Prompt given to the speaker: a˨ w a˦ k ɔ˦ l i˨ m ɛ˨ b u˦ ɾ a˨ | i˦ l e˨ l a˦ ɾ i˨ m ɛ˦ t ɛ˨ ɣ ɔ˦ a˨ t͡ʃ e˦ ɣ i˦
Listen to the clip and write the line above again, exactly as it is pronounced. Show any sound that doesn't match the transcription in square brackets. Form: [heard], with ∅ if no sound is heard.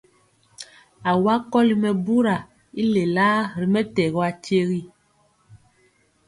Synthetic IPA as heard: a˨ w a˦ k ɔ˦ l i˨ m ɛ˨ b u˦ ɾ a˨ | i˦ l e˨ l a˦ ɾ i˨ m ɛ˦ t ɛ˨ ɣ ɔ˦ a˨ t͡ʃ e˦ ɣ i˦